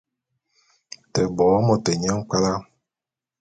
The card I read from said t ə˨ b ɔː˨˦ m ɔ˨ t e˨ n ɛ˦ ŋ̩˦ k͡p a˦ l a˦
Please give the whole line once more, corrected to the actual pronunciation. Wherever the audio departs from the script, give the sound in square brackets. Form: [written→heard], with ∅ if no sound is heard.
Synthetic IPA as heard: t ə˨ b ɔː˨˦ m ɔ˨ t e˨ [n→ɲ] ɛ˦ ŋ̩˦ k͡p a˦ l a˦